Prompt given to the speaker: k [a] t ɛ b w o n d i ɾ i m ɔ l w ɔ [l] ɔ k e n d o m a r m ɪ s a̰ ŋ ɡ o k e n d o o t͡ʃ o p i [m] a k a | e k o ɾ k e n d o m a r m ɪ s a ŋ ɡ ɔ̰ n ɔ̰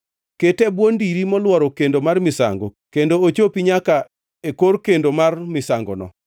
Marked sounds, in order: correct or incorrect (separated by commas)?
incorrect, incorrect, incorrect